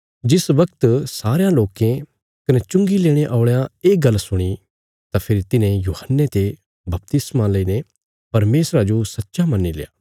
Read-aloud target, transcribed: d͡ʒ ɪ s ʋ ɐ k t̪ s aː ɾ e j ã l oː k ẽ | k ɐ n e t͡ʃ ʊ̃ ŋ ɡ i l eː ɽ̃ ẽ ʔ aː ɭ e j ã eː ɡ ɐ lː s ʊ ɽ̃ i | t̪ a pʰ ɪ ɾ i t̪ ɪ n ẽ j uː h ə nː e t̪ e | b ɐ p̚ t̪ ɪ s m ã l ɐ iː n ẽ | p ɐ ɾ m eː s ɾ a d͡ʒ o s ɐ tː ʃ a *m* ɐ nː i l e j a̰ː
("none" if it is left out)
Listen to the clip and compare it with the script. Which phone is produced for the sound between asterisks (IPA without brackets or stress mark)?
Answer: m